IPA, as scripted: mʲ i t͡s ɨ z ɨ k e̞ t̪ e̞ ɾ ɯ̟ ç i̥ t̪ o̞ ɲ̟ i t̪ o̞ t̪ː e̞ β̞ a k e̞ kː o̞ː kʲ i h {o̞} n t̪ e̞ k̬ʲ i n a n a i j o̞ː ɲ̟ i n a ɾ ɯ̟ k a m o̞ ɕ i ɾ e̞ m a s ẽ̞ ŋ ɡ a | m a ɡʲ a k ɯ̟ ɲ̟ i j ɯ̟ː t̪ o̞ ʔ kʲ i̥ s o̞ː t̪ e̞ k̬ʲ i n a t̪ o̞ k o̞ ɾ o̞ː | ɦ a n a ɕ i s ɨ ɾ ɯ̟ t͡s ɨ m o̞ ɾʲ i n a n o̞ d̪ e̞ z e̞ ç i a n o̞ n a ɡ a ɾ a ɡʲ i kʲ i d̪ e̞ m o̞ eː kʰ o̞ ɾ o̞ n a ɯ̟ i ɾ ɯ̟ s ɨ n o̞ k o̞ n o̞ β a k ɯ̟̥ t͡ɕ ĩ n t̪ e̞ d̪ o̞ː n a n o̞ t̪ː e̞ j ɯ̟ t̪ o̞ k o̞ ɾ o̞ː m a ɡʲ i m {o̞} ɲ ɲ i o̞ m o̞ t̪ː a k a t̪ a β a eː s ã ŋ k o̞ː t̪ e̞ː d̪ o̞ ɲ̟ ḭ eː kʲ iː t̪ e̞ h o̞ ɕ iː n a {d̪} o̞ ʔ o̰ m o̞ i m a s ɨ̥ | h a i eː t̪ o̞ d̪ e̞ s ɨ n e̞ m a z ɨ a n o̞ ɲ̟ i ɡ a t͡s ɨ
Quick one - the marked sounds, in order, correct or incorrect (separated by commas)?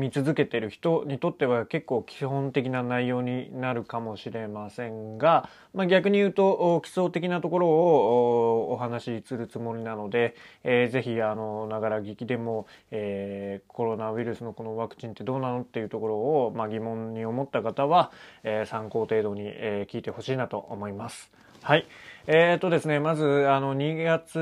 incorrect, incorrect, incorrect